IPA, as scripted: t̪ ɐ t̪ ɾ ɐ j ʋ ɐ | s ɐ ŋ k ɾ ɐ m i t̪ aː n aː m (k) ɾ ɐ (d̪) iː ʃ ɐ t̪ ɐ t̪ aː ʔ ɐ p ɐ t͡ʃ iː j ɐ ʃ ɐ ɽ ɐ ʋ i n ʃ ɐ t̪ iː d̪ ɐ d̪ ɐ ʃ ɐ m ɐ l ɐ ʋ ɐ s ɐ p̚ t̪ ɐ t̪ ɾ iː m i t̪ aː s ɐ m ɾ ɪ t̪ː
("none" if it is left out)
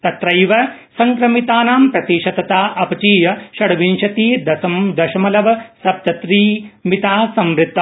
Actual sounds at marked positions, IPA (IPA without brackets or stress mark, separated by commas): p, t̪